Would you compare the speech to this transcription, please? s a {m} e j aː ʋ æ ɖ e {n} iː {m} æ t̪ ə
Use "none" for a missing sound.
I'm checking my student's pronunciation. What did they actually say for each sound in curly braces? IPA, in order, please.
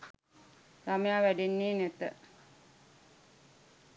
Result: m, nː, n

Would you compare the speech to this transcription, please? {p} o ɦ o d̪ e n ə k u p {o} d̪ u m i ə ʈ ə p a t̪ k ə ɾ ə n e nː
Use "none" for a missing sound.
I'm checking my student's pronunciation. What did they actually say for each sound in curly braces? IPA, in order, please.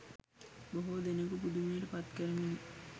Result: b, u

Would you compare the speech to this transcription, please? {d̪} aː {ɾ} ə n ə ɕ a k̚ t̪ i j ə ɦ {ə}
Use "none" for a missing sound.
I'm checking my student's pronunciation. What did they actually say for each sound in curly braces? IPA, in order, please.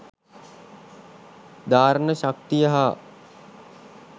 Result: d̪, ɾ, a

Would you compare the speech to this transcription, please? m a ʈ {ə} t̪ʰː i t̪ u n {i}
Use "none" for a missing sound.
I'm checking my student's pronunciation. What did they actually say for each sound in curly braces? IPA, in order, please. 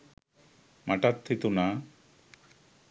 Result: a, a

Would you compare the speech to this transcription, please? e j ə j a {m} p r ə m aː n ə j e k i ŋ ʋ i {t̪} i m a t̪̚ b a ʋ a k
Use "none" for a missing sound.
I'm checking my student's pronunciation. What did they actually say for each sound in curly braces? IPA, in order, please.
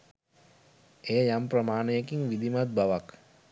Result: m, d̪

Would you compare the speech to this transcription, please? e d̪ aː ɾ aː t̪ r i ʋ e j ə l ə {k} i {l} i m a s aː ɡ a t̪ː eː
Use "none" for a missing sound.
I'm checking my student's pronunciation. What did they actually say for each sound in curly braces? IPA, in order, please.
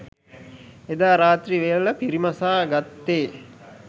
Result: p, ɾ

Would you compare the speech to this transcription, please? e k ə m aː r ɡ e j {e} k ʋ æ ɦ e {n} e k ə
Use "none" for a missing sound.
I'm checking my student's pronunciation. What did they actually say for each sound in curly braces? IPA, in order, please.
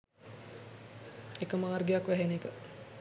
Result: a, n

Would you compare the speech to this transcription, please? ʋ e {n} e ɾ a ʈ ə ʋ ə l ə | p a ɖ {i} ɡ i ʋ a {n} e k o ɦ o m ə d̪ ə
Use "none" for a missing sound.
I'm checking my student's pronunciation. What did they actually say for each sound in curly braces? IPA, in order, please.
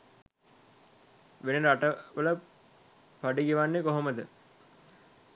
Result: n, i, nː

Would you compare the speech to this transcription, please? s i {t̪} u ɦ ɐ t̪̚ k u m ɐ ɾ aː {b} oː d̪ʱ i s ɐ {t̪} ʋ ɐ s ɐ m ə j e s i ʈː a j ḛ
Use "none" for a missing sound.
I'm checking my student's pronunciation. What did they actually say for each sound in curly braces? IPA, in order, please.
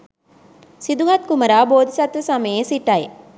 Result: d̪, b, t̪

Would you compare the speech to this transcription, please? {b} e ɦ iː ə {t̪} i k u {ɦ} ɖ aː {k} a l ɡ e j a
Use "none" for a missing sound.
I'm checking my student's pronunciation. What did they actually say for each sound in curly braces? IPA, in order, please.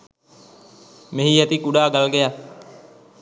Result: m, t̪, none, ɡ

